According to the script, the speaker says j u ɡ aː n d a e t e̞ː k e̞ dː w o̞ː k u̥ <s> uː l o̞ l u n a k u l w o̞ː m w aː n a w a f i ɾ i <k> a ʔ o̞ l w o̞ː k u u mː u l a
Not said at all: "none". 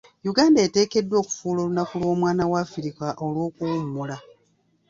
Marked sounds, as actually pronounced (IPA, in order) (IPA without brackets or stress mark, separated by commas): f, k